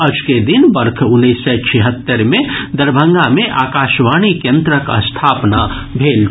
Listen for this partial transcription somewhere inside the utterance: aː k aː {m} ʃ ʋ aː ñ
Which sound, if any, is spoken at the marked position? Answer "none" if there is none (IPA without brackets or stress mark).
none